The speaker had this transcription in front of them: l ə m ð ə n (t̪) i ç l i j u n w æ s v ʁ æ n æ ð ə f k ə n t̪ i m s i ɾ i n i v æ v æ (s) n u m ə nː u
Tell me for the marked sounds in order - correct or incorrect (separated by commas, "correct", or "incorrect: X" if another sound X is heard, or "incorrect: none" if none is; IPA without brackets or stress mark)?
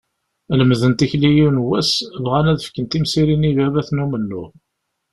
correct, incorrect: θ